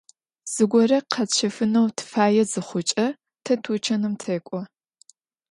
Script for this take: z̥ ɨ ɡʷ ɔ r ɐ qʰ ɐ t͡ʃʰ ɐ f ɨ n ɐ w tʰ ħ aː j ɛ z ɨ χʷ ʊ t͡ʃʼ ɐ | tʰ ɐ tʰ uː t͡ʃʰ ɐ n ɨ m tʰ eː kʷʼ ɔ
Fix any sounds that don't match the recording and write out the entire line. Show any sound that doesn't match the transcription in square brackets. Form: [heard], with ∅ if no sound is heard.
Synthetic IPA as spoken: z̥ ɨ ɡʷ ɔ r ɐ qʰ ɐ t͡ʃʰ ɐ f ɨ n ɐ w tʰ [f] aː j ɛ z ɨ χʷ ʊ t͡ʃʼ ɐ | tʰ ɐ tʰ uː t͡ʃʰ ɐ n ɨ m tʰ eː kʷʼ ɔ